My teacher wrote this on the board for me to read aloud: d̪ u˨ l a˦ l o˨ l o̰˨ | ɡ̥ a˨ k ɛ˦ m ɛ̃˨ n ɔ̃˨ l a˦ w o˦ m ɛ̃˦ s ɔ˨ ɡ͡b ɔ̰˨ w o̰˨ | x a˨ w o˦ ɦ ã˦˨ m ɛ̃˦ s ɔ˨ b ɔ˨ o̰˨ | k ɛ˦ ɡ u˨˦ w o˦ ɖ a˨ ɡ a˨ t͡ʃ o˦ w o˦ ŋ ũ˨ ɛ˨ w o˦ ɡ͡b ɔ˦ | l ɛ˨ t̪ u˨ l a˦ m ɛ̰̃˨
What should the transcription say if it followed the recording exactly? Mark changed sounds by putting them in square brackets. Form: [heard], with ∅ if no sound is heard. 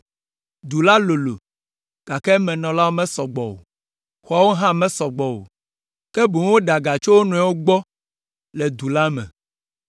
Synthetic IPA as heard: d̪ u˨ l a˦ l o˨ l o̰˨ | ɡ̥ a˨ k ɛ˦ m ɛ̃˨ n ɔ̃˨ l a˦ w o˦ m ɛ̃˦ s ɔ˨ ɡ͡b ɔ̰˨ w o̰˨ | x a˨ w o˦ ɦ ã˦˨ m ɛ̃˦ s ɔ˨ [ɡ͡b] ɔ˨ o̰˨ | k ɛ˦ [b] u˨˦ w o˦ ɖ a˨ ɡ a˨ t͡ʃ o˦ w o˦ [n] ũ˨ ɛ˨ w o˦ ɡ͡b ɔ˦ | l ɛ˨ [d̪] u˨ l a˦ m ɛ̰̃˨